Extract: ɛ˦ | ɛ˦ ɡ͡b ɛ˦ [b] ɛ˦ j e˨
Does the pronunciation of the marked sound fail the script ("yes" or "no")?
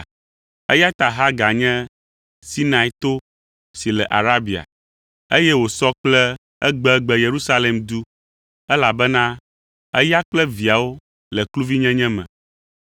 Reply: yes